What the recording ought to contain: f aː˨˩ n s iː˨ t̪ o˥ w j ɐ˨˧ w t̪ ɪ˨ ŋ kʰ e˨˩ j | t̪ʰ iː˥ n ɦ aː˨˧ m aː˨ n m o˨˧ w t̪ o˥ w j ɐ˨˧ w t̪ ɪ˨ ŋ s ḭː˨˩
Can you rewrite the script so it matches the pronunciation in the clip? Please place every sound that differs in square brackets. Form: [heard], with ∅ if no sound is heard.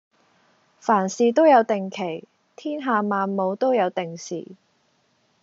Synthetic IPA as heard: f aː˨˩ n s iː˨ t̪ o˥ w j ɐ˨˧ w t̪ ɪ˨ ŋ kʰ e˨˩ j | t̪ʰ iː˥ n ɦ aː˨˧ m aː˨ n m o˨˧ w t̪ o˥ w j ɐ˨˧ w t̪ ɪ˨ ŋ s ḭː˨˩